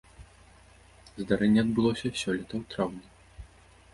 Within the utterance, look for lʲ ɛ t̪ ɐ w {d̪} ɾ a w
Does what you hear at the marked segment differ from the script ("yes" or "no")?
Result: yes